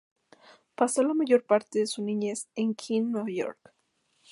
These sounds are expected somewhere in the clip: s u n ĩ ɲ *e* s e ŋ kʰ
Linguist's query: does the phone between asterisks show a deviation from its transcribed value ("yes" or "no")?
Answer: no